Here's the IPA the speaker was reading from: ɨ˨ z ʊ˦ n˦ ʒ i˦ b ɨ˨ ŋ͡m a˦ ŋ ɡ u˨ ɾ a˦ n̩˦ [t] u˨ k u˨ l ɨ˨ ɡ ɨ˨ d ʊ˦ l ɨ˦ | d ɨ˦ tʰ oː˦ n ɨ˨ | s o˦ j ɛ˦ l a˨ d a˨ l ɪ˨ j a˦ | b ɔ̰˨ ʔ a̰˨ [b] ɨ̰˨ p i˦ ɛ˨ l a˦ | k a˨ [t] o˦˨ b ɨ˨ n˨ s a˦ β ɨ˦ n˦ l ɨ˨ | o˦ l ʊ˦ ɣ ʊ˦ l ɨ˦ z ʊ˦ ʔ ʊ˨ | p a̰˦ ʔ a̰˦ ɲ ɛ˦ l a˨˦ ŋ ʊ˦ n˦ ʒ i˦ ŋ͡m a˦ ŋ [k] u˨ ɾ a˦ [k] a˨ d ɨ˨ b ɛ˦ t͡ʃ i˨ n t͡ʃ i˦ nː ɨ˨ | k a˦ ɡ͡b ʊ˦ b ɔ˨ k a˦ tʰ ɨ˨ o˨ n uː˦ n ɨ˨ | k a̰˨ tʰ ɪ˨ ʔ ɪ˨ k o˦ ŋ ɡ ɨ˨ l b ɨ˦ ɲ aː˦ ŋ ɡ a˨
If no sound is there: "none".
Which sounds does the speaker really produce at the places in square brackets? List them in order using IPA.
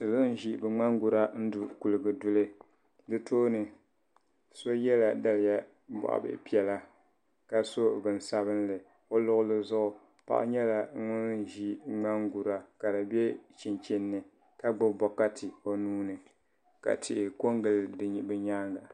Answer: d, b, s, ɡ, k

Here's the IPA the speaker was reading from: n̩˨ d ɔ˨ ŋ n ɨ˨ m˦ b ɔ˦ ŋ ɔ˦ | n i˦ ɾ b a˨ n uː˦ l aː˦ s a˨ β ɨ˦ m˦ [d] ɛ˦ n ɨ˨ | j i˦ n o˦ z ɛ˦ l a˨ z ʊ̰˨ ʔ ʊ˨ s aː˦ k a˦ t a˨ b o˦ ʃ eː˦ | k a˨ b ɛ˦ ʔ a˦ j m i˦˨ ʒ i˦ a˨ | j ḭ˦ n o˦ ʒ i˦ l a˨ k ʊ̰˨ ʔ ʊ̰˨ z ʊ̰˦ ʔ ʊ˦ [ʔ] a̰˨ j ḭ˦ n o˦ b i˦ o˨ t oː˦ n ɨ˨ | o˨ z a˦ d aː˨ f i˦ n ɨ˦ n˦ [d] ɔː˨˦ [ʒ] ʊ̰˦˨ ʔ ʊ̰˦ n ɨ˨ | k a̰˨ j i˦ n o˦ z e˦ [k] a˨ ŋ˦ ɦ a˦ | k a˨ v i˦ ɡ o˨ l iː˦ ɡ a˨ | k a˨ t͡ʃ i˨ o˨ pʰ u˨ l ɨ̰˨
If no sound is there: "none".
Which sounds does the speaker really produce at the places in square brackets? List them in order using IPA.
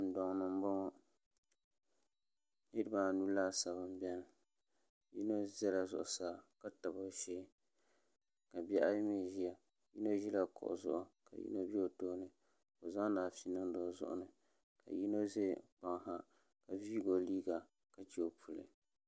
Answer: b, k, d, z, k͡p

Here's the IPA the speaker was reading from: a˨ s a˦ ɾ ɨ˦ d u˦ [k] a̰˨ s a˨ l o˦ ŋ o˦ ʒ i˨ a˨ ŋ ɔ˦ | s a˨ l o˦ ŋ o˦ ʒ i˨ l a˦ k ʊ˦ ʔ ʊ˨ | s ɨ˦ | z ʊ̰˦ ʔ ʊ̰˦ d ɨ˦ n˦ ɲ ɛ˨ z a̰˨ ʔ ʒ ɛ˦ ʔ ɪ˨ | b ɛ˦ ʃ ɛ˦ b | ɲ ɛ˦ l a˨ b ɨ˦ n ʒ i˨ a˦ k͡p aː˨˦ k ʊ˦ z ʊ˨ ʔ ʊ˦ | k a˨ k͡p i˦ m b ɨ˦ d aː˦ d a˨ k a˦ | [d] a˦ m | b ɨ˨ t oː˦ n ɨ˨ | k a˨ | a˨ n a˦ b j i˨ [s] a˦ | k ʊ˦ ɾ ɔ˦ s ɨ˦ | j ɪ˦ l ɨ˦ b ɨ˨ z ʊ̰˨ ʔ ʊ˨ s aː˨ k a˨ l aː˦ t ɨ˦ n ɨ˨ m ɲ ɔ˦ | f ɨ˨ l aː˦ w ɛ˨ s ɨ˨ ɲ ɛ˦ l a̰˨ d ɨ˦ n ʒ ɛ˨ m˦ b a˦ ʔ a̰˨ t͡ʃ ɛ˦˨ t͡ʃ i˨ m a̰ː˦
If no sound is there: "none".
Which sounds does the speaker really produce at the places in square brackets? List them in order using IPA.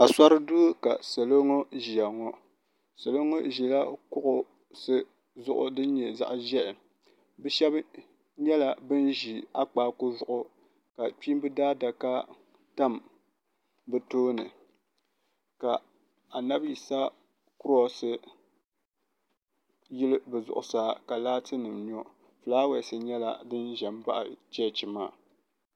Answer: k, t, s

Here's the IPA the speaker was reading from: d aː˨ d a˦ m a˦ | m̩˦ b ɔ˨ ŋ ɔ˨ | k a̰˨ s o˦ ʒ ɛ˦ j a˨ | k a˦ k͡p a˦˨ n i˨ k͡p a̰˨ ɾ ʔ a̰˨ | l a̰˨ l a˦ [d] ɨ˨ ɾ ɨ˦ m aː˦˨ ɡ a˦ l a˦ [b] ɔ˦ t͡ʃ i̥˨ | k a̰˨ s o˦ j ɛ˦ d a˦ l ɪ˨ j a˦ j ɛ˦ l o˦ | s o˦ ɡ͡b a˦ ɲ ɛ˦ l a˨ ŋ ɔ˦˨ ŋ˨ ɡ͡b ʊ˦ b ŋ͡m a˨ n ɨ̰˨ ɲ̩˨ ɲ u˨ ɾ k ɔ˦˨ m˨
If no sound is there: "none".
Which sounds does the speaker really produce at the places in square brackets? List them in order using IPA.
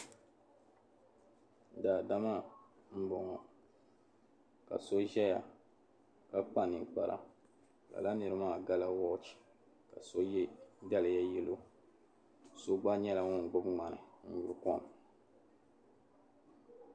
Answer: n, w

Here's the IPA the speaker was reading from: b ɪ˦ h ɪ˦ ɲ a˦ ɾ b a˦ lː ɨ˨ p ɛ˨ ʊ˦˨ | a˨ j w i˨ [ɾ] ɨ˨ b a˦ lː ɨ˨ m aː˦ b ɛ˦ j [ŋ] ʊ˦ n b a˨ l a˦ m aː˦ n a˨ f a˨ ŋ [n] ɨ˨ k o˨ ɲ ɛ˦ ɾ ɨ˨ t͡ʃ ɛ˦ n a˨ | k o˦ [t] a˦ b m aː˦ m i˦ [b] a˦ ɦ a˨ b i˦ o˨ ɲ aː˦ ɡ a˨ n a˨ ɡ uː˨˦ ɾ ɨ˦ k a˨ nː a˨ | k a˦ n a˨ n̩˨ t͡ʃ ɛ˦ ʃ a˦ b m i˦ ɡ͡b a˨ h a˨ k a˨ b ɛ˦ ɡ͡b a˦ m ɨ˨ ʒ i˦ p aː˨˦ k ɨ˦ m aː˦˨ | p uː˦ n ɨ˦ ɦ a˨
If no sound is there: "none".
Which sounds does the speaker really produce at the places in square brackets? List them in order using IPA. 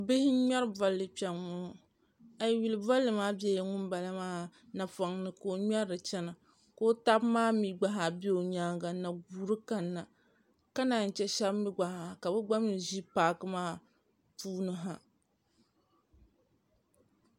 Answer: l, ŋ, n, t, ɡ͡b

